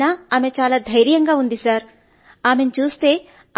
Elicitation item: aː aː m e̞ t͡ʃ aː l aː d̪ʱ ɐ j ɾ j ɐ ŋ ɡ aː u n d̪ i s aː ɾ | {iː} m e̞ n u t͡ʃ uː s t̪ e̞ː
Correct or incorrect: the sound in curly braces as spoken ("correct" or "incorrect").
incorrect